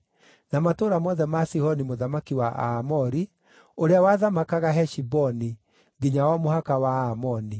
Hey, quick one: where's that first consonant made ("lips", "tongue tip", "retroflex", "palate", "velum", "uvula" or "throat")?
tongue tip